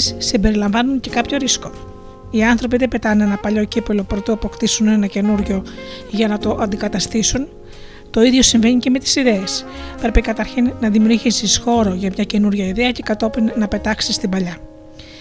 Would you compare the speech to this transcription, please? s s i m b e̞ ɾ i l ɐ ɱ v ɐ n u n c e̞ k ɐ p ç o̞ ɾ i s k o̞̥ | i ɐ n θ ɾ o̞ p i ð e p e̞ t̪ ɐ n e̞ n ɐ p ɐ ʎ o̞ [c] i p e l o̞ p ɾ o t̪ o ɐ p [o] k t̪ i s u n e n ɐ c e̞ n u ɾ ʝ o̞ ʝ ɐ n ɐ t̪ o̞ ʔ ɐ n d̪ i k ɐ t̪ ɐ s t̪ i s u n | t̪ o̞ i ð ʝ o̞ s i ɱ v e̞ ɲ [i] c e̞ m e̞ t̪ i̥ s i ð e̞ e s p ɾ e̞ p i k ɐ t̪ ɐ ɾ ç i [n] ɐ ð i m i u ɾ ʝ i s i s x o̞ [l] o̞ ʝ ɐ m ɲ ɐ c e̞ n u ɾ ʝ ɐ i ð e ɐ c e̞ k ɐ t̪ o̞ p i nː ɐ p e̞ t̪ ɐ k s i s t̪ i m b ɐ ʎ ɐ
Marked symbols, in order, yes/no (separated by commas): yes, yes, yes, no, no